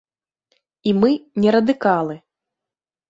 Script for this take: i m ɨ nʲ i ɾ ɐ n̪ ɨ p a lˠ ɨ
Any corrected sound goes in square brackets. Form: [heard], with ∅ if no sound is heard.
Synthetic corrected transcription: i m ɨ nʲ [ɛ] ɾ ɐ [d̪] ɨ [k] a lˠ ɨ